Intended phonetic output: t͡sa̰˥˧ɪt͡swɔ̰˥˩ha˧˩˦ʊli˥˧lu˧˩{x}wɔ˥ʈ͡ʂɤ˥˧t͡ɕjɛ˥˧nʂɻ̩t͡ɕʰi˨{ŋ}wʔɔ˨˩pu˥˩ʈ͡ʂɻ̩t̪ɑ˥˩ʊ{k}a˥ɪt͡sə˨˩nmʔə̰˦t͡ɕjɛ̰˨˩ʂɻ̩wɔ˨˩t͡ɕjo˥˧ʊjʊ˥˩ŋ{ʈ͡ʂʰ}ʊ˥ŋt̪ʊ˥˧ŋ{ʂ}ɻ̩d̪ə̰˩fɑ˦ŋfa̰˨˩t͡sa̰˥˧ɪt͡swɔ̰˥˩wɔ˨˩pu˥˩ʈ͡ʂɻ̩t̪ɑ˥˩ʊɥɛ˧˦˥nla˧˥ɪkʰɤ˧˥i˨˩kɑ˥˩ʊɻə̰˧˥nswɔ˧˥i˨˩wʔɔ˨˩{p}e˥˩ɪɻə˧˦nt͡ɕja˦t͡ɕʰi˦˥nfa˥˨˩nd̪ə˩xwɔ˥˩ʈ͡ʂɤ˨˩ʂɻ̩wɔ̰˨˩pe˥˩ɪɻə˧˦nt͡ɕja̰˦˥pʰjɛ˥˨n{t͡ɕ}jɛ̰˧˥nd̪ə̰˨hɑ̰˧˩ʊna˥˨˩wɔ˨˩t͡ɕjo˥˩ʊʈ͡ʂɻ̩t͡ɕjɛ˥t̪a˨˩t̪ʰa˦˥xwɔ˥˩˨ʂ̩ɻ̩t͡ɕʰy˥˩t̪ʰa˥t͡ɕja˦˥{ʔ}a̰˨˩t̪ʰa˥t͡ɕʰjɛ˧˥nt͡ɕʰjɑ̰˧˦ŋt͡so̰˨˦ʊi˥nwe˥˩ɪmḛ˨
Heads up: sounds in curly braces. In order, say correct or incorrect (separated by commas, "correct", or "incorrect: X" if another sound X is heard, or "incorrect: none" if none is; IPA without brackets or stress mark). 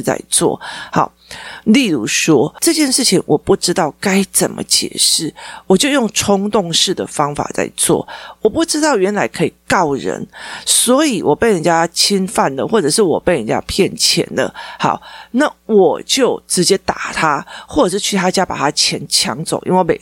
incorrect: ʂ, correct, correct, correct, correct, correct, incorrect: t͡ɕʰ, incorrect: p